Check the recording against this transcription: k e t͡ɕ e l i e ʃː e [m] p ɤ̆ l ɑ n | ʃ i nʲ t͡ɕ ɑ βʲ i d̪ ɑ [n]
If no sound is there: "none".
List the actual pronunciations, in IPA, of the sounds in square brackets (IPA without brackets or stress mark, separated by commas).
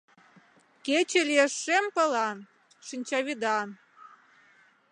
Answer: m, n